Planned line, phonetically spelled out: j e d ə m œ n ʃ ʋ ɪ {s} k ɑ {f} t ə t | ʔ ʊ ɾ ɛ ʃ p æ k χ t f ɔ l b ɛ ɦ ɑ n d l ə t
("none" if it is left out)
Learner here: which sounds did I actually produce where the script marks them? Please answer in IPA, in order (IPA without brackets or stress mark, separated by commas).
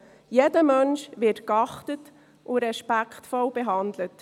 t, χ